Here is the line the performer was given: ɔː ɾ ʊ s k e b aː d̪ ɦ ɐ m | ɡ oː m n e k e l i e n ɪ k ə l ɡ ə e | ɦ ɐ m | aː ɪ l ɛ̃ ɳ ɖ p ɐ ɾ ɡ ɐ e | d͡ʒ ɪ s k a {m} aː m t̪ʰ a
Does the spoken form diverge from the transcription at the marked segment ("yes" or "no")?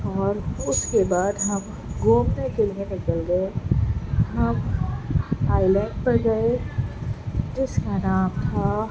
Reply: yes